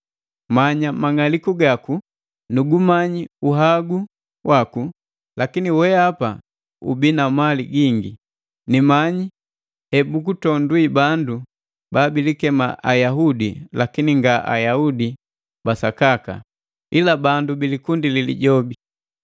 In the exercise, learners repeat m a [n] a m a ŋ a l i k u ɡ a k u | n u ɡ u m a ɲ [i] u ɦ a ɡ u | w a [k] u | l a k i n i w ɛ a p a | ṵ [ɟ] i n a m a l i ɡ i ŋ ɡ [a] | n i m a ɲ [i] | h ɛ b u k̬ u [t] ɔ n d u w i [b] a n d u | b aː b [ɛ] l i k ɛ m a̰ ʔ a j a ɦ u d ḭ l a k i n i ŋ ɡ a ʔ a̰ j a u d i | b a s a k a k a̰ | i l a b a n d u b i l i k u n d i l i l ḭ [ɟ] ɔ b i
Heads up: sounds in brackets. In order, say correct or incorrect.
incorrect: ɲ, correct, correct, incorrect: b, incorrect: i, correct, correct, correct, incorrect: i, correct

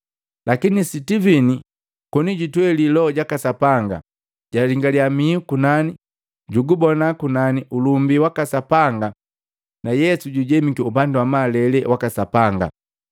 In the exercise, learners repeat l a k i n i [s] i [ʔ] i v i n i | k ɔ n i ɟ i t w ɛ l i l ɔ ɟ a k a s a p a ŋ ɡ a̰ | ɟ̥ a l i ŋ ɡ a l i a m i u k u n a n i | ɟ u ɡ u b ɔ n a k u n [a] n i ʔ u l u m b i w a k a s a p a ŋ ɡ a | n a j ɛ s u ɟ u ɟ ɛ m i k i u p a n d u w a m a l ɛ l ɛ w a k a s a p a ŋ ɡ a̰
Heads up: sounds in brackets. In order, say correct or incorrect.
correct, incorrect: t, correct

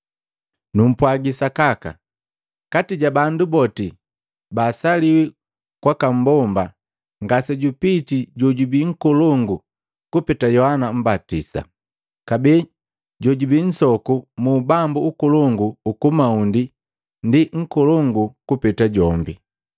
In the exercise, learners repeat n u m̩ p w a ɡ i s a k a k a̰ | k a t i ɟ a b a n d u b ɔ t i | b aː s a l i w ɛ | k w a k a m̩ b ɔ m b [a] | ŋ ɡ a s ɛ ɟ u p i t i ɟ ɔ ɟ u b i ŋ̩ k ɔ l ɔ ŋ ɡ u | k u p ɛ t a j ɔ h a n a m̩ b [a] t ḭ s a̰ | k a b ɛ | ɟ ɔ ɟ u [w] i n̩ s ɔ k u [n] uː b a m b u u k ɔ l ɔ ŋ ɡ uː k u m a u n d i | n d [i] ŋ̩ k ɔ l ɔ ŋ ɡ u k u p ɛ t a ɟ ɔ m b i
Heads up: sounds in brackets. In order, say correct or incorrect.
correct, correct, incorrect: b, incorrect: m, correct

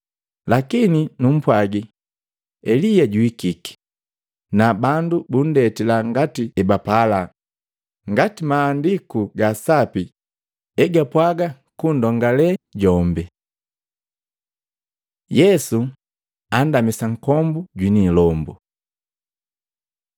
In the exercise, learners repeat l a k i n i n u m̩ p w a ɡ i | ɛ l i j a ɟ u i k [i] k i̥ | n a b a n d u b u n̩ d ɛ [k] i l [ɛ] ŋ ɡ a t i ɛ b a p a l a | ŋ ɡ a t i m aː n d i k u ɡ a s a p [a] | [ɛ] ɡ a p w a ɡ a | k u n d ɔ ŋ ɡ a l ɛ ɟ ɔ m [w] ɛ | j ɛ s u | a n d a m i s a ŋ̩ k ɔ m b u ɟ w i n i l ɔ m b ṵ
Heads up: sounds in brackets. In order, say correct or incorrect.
correct, incorrect: t, incorrect: a, incorrect: i, correct, incorrect: b

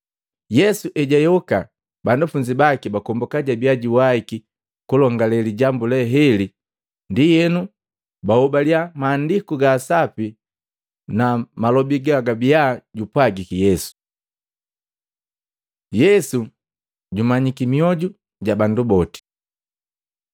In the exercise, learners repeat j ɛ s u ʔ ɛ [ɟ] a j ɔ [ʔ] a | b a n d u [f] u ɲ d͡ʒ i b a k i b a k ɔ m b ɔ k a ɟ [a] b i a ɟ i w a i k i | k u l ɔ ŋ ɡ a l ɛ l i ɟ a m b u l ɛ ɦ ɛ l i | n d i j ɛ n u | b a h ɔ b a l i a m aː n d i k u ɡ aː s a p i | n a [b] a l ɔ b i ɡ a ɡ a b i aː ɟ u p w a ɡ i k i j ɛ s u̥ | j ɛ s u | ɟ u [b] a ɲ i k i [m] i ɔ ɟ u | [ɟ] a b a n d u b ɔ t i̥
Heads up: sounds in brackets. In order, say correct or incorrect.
correct, incorrect: k, correct, correct, incorrect: m, incorrect: m, correct, correct

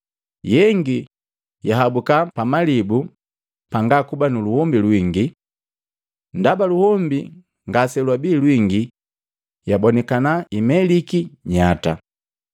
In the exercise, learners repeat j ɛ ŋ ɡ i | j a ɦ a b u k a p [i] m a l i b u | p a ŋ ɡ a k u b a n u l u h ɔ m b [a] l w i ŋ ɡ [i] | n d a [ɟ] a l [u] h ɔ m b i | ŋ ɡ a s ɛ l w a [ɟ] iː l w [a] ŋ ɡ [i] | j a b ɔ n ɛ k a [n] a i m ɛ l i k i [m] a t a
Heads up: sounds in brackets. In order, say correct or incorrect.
incorrect: a, incorrect: i, correct, incorrect: b, correct, incorrect: b, incorrect: i, correct, correct, incorrect: ɲ

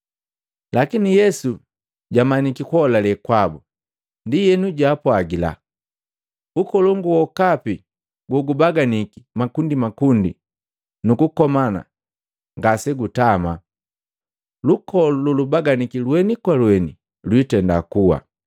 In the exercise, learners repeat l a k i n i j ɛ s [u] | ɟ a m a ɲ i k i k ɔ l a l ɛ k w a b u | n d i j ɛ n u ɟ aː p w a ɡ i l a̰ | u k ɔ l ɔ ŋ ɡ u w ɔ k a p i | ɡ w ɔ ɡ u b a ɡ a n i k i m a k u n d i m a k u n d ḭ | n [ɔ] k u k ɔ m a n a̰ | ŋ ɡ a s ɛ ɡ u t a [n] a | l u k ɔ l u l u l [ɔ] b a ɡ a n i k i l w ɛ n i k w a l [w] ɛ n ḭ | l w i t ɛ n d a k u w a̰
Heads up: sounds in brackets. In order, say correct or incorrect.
correct, incorrect: u, incorrect: m, incorrect: u, correct

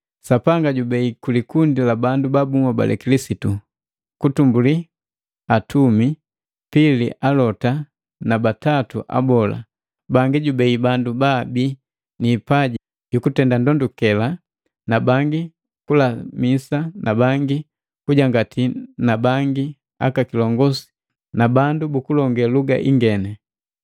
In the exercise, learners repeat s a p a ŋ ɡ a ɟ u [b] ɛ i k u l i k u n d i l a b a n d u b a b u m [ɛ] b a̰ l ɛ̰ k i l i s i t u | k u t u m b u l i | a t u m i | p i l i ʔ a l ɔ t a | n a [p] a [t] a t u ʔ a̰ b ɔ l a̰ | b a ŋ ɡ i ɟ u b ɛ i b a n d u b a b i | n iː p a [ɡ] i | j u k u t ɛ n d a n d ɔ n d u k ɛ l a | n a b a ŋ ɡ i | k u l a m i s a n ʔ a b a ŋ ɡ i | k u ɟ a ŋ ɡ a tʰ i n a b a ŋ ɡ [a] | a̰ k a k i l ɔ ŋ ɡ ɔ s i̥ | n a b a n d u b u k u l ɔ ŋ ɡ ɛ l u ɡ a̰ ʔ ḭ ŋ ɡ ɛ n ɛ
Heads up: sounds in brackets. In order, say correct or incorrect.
correct, incorrect: a, incorrect: b, correct, incorrect: ɟ, incorrect: i

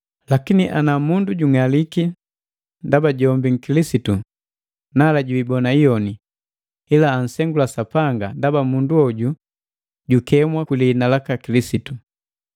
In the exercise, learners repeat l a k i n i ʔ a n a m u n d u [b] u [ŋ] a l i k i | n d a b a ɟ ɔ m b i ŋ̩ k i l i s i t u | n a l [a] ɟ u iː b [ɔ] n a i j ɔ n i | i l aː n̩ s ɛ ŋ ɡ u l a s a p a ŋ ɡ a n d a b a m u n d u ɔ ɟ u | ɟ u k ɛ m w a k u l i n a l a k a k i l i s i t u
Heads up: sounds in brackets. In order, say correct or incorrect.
incorrect: ɟ, correct, correct, correct

